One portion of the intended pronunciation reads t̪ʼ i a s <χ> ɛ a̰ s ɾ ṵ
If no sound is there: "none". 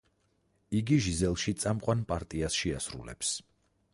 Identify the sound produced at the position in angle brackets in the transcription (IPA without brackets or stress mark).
ʃ